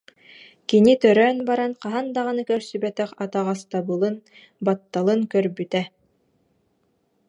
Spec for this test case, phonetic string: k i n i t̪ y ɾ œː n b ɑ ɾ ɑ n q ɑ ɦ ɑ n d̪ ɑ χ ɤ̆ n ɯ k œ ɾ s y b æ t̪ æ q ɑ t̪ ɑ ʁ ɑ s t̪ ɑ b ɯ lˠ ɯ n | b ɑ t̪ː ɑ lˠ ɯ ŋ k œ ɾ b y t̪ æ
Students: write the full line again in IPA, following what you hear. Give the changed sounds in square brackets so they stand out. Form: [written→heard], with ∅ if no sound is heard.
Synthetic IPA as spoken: k i n i t̪ [y→œ] ɾ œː n b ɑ ɾ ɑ n q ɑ ɦ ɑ n d̪ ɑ [χ→ʁ] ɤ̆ n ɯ k œ ɾ s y b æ t̪ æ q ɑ t̪ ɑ ʁ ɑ s t̪ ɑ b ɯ lˠ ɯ n | b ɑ t̪ː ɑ lˠ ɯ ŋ k œ ɾ b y t̪ æ